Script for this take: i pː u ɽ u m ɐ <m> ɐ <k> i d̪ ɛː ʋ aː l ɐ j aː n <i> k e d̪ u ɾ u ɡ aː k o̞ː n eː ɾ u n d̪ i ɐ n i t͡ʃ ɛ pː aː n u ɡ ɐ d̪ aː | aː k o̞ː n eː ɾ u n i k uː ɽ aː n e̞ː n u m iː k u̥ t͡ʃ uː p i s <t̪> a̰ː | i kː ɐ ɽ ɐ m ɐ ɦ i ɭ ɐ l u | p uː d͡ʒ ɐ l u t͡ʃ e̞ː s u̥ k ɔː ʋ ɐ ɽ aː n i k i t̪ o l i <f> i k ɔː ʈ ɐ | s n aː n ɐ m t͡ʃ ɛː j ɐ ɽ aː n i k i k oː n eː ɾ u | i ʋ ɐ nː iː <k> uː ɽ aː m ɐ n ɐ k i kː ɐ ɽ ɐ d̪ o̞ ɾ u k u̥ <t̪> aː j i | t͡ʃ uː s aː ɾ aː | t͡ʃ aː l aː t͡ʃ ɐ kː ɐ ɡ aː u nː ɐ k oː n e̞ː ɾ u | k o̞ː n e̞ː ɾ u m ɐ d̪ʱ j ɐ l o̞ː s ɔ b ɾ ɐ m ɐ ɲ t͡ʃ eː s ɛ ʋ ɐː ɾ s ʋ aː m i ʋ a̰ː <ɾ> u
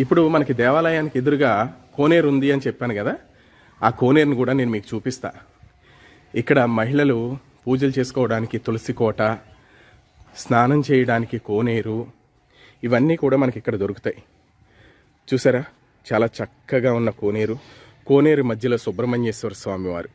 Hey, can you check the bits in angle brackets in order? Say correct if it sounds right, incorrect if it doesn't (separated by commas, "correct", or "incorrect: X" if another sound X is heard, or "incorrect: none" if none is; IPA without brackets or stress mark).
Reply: incorrect: n, correct, correct, correct, incorrect: s, correct, correct, correct